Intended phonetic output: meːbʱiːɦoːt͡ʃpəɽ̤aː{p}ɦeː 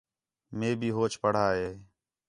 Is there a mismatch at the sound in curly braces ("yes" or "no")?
yes